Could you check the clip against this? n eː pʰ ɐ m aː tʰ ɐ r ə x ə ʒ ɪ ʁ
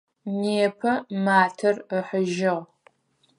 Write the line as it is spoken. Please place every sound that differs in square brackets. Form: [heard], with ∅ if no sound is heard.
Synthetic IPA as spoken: n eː pʰ ɐ m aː tʰ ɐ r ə [ħ] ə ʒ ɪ ʁ